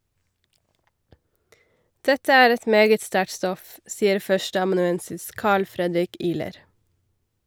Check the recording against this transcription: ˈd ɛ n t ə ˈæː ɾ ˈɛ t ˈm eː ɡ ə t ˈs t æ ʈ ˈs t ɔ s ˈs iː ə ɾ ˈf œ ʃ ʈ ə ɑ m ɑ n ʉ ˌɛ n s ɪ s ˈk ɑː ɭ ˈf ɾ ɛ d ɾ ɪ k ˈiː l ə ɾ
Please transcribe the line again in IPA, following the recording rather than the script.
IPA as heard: ˈd ɛ t ə ˈæː ɾ ˈɛ t ˈm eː ɡ ə t ˈs t æ ʈ ˈs t ɔ f ˈs iː ə ɾ ˈf œ ʃ ʈ ə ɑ m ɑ n ʉ ˌɛ n s ɪ s ˈk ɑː ɭ ˈf ɾ ɛ d ɾ ɪ k ˈiː l ə ɾ

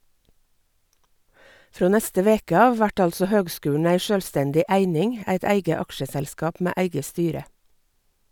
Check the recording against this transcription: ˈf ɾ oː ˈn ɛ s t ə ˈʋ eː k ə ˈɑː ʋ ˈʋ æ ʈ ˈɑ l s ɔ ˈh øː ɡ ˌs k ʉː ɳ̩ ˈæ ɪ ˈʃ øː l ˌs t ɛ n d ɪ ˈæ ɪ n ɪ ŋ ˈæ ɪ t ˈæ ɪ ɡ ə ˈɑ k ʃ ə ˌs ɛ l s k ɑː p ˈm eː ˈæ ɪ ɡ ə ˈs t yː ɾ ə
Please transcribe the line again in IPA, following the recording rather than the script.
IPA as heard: ˈf ɾ oː ˈn ɛ s t ə ˈʋ eː k ə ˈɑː ʋ ˈʋ æ ʈ ˈɑ l s ɔ ˈh øː ɡ ˌs k ʉː ɳ̩ ˈæ ɪ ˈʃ øː l ˌs t ɛ n d ɪ ˈæ ɪ n ɪ ŋ ˈæ ɪ t ˈæ ɪ ɡ ə ˈɑ k ʃ ə ˌs ɛ l s k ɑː p ˈm eː ˈæ ɪ ɡ ə ˈs t yː ɾ ə

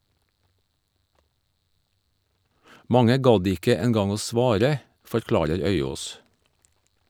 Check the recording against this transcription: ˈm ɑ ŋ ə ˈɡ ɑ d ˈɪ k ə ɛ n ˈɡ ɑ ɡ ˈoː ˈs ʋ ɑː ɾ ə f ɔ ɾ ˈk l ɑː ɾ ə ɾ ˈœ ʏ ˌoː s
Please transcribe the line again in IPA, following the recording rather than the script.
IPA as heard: ˈm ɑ ŋ ə ˈɡ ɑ d ˈɪ k ə ɛ n ˈɡ ɑ ŋ ˈoː ˈs ʋ ɑː ɾ ə f ɔ ɾ ˈk l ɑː ɾ ə ɾ ˈœ ʏ ˌoː s

